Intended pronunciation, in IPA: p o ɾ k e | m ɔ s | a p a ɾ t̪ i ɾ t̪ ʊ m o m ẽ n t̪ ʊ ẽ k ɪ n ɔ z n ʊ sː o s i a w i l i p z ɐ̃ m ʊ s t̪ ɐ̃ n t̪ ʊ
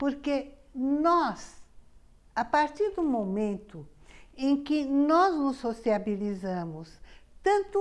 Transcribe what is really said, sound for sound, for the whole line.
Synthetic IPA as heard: p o ɾ k e | n ɔ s | a p a ɾ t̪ i ɾ d̪ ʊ m o m ẽ n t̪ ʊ ẽ k ɪ n ɔ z n ʊ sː o s i a b i l i z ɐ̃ m ʊ s t̪ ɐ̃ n t̪ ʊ